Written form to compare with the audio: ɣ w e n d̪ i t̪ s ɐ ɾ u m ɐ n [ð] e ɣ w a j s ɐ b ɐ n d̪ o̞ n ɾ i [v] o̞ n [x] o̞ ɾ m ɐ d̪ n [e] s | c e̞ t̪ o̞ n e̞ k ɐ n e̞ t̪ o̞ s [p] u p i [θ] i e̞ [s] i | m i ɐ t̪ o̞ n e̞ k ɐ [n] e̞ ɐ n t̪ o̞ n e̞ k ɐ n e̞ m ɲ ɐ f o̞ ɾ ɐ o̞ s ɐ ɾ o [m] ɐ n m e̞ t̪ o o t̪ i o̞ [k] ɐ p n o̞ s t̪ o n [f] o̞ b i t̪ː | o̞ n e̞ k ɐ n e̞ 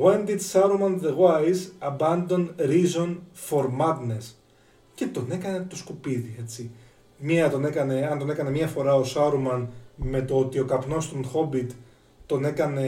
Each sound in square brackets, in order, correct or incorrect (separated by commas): correct, incorrect, incorrect, correct, incorrect, incorrect, incorrect, correct, correct, correct, incorrect